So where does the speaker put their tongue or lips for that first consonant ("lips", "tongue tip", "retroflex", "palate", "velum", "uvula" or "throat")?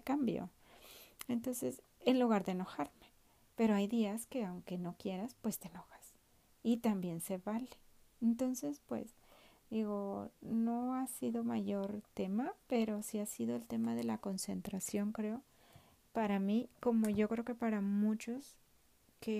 velum